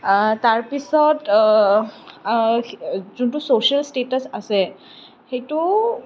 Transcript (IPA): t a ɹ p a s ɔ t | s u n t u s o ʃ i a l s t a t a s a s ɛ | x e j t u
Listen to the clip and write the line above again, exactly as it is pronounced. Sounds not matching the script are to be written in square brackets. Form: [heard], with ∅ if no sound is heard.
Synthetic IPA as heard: t a ɹ p [i] s ɔ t | [z] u n t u s o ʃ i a l s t [e] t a s a s ɛ | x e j t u